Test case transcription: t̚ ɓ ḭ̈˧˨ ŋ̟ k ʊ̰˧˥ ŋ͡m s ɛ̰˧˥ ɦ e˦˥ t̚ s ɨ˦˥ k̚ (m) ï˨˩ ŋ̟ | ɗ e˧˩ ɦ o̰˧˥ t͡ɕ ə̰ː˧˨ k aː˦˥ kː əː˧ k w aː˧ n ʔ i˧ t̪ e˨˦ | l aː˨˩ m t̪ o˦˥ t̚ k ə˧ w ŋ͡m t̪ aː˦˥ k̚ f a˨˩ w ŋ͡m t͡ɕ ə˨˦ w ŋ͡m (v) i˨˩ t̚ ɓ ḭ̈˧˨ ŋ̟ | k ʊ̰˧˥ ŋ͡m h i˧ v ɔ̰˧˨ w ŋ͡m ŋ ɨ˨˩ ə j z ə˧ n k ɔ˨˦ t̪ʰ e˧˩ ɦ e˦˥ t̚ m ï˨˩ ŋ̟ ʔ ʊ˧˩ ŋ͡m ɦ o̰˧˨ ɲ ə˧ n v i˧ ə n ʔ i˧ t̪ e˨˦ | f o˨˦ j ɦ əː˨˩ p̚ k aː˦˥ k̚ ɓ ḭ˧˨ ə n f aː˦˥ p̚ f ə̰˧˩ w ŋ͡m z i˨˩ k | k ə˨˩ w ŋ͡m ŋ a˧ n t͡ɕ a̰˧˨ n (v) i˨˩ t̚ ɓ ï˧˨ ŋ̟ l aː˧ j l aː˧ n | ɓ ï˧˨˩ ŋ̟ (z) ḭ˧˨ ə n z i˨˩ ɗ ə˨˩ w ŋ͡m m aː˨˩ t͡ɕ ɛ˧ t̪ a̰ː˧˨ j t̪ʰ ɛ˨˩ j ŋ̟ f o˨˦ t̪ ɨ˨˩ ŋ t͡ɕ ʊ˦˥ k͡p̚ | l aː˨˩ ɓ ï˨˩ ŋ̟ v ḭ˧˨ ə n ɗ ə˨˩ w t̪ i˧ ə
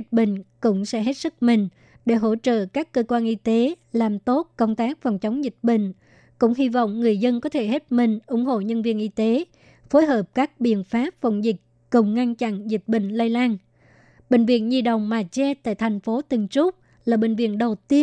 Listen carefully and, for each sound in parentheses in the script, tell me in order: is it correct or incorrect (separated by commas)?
correct, incorrect, incorrect, incorrect